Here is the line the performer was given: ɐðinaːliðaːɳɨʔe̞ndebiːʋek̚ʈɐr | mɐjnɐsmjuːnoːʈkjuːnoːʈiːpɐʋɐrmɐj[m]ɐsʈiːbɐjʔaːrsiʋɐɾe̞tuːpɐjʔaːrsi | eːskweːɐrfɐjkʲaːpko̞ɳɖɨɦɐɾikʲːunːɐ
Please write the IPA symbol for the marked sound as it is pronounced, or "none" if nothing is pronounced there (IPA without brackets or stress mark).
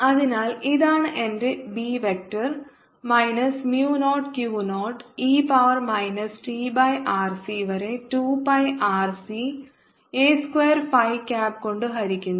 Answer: n